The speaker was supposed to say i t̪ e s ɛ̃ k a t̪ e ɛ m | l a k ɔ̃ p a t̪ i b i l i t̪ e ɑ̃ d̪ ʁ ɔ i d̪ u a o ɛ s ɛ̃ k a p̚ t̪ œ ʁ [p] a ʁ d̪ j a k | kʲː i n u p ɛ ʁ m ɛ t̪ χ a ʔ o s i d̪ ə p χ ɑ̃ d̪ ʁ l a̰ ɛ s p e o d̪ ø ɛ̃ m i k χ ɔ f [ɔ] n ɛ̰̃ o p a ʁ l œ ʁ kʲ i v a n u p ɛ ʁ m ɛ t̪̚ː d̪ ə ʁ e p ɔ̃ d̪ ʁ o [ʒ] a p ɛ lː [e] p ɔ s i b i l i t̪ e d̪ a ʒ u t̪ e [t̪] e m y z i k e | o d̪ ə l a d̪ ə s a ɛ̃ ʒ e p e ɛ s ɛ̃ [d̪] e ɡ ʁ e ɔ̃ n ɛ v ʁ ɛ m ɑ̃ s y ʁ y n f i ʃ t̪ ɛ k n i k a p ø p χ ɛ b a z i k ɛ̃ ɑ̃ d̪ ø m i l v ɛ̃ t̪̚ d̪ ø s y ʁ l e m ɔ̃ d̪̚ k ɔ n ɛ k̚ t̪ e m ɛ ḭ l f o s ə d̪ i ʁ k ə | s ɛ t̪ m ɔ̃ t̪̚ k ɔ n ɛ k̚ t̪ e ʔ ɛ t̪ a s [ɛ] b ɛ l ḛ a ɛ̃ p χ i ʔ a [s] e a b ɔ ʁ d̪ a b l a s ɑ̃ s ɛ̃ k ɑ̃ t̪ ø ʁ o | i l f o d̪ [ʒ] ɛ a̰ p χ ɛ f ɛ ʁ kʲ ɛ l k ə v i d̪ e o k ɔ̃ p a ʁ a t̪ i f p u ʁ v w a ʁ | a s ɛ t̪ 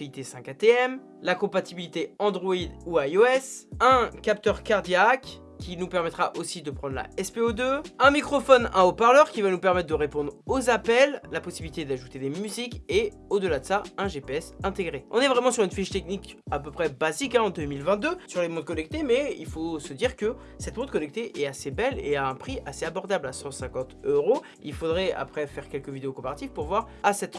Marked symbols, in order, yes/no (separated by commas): no, yes, no, no, no, no, no, yes, no